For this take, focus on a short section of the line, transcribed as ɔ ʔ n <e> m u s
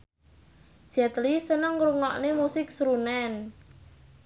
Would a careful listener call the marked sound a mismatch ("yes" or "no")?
no